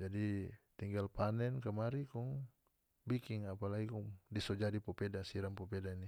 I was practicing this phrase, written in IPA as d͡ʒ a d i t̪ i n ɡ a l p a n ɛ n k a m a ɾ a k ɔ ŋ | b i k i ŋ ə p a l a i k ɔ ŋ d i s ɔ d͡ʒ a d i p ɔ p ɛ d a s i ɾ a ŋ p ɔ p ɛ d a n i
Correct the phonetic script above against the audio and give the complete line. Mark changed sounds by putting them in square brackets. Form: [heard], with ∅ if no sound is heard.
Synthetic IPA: d͡ʒ a d i t̪ i [ŋ] ɡ a l p a n ɛ n k a m a ɾ [i] k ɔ ŋ | b i k i ŋ [a] p a l a i k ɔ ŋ d i s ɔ d͡ʒ a d i p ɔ p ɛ d a s i ɾ a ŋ p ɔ p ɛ d a n i

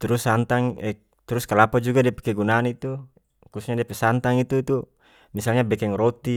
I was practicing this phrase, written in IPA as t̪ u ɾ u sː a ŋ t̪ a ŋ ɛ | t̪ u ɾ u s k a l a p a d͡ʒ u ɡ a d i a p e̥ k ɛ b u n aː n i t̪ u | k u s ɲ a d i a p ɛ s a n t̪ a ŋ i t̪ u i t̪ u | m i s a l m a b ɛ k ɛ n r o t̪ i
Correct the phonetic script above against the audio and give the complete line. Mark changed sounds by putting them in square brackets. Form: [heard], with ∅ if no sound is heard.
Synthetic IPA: t̪ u ɾ u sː a [n] t̪ a ŋ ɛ | t̪ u ɾ u s k a l a p a d͡ʒ u ɡ a d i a p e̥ k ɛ [ɡ] u n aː n i t̪ u | k u s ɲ a d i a p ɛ s a n t̪ a ŋ i t̪ u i t̪ u | m i s a l [ɲ] a b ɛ k ɛ [ŋ] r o t̪ i

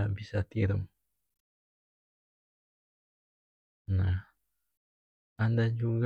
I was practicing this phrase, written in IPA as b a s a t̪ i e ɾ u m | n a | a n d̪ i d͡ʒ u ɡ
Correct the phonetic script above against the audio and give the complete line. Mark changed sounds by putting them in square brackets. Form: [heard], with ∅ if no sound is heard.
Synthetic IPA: b [i] s a t̪ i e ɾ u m | n a | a n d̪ [a] d͡ʒ u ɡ

